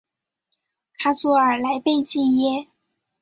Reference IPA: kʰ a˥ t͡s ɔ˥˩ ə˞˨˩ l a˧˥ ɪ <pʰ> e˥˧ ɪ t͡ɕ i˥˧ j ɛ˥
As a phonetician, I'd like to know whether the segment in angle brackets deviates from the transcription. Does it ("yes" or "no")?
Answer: yes